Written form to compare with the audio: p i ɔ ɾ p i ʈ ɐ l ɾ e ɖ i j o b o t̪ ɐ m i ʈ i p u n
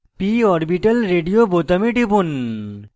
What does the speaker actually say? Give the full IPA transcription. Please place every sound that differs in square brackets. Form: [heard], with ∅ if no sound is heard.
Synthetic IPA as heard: p i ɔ ɾ [b] i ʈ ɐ l ɾ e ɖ i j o b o t̪ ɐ m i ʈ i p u n

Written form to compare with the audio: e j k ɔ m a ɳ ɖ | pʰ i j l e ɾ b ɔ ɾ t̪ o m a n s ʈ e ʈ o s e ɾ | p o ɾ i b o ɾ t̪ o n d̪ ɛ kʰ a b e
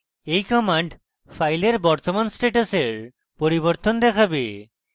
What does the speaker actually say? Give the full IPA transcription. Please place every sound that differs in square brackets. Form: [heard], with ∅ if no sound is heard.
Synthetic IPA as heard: e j k ɔ m a ɳ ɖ | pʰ [a] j l e ɾ b ɔ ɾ t̪ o m a n s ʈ e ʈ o s e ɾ | p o ɾ i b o ɾ t̪ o n d̪ ɛ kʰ a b e

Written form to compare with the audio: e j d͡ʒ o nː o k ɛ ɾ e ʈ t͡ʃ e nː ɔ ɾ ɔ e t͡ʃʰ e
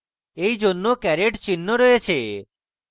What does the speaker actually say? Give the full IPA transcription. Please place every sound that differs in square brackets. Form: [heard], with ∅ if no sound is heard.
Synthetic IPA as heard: e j d͡ʒ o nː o k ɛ ɾ e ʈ t͡ʃ [i] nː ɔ ɾ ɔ e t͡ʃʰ e

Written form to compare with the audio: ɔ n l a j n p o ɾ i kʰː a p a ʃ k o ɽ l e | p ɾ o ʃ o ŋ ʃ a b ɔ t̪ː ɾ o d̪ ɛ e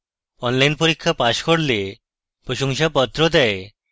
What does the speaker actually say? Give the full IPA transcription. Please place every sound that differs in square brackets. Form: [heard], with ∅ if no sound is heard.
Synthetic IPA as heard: ɔ n l a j n p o ɾ i kʰː a p a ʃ k o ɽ l e | p ɾ o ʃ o ŋ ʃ a [p] ɔ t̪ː ɾ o d̪ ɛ e

